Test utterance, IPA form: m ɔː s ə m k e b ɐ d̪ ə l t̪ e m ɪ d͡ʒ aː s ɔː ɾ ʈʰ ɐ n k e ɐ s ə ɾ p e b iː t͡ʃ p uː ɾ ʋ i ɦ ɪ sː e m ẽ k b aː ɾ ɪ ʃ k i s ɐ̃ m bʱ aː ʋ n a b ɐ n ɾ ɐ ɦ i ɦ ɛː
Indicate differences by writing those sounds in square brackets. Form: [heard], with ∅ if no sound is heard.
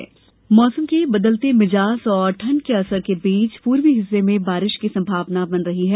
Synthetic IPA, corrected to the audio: m ɔː s ə m k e b ɐ d̪ ə l t̪ e m ɪ d͡ʒ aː s ɔː ɾ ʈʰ ɐ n k e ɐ s ə ɾ [k] e b iː t͡ʃ p uː ɾ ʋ i ɦ ɪ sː e m ẽ [∅] b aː ɾ ɪ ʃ k i s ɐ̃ m bʱ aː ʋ n a b ɐ n ɾ ɐ ɦ i ɦ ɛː